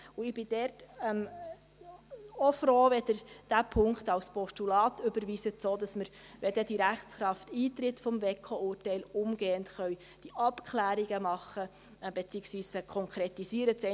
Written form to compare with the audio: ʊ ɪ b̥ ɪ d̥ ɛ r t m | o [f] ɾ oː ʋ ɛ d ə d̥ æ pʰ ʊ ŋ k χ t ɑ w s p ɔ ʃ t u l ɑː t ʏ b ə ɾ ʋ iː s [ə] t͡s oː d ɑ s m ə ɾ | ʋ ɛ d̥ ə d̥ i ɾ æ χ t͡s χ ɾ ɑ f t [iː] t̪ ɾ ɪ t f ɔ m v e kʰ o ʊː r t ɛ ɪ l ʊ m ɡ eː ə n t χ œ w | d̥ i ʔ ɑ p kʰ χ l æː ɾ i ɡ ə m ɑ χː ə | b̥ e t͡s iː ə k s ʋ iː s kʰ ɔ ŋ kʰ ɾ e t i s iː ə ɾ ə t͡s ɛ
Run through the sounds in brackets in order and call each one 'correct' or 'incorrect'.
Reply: correct, correct, correct

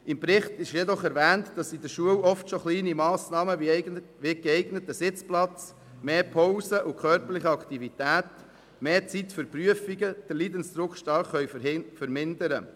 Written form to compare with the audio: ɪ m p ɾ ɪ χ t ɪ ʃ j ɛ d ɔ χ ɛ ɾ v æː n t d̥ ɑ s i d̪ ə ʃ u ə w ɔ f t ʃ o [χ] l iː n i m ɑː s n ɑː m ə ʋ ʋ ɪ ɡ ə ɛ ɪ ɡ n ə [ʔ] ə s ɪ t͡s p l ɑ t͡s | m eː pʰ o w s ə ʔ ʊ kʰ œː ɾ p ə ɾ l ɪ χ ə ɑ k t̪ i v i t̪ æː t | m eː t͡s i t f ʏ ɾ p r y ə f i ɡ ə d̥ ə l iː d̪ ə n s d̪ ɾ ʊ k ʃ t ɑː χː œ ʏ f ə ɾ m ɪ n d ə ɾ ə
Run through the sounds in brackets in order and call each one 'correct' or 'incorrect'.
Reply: correct, incorrect: t

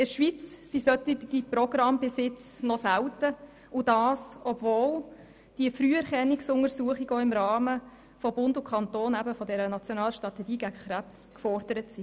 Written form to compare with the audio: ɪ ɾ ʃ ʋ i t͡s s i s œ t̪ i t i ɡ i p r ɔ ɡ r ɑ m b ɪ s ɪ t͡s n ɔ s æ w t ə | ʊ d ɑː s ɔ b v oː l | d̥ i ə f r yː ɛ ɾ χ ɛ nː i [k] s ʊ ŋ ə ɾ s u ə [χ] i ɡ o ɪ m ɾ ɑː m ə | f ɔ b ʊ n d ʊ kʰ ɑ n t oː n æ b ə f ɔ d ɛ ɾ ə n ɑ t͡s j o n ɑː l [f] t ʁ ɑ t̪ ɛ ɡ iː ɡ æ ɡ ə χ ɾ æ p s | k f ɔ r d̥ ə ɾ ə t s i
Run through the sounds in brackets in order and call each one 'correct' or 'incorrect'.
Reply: correct, correct, incorrect: ʃ

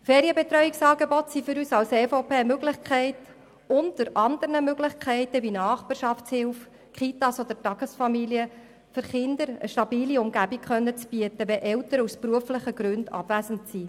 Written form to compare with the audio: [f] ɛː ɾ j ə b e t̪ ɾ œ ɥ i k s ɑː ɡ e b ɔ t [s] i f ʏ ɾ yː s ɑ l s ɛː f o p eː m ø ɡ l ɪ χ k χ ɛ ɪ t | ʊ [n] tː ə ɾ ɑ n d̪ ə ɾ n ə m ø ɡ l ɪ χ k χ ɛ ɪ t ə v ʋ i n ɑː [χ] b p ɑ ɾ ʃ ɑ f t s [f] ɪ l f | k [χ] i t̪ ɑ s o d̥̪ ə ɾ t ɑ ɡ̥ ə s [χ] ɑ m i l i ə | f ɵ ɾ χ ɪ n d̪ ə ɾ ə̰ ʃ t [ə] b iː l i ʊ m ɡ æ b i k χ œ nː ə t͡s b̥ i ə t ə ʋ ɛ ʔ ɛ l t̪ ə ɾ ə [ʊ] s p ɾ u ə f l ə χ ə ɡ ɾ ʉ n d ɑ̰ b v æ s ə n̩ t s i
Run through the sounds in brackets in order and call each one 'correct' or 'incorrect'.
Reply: correct, correct, correct, correct, incorrect: h, correct, incorrect: f, incorrect: ɑ, incorrect: u

